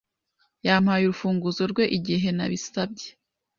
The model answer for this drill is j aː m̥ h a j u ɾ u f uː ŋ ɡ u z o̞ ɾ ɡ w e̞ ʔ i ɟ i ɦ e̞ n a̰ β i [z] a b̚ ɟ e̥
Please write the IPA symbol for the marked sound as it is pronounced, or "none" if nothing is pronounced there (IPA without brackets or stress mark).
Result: s